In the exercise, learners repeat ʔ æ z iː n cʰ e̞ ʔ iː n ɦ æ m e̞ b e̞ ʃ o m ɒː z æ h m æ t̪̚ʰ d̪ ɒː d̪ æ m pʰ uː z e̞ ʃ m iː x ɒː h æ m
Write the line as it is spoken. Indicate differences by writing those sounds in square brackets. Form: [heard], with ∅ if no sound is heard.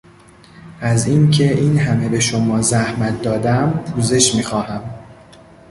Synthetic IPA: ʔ æ z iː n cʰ e̞ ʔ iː n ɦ æ m e̞ b e̞ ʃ o m ɒː z æ h m æ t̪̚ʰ d̪ ɒː d̪ æ m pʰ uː z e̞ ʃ m iː x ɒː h æ m